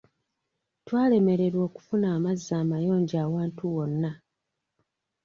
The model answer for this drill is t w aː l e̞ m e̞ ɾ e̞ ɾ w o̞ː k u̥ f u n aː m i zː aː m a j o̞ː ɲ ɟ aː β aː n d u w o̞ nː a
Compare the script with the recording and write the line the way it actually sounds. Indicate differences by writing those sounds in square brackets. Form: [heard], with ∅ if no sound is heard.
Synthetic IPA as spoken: t w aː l e̞ m e̞ ɾ e̞ ɾ w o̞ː k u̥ f u n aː m [a] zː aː m a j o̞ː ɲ ɟ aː [w] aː n [t] u w o̞ nː a